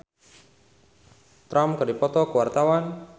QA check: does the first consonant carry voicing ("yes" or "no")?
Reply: no